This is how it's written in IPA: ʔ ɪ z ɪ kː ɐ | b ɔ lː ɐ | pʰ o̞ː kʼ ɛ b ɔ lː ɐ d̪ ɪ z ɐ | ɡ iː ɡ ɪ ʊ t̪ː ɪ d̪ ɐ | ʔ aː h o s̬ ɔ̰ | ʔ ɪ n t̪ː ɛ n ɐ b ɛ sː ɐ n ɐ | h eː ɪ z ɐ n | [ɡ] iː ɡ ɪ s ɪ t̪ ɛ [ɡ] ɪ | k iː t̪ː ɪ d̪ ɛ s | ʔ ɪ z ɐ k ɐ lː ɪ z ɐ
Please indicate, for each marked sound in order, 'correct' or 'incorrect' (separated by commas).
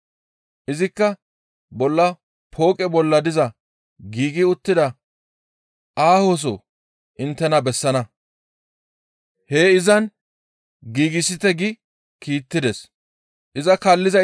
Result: correct, correct